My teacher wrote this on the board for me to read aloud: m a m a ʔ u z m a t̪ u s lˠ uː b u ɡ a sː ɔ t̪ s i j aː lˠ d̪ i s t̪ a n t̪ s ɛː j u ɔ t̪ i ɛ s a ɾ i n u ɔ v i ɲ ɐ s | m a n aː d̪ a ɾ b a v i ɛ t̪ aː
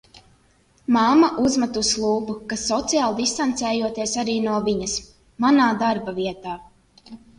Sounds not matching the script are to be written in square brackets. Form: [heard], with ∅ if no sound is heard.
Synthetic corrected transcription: m a m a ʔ u z m a t̪ u s lˠ uː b u [k] a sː ɔ t̪ s i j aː lˠ d̪ i s t̪ a n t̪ s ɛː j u ɔ t̪ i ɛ s a ɾ [iː] n u ɔ v i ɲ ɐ s | m a n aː d̪ a ɾ b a v i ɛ t̪ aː